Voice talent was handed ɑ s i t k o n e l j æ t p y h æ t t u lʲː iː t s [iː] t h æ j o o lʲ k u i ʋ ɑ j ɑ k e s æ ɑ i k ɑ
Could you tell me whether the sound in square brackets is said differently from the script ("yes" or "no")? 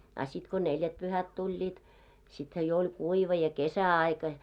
yes